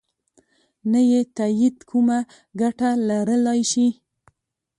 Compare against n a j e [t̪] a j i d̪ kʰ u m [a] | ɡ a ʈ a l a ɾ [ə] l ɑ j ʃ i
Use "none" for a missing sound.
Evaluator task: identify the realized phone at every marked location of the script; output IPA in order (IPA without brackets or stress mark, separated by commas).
t̪, a, ə